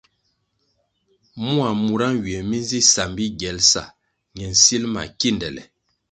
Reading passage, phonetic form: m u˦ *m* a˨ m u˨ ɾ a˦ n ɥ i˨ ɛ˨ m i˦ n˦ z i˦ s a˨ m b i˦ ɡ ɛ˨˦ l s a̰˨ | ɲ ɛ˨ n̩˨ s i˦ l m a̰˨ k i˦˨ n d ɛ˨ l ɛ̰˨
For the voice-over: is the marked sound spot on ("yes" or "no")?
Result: no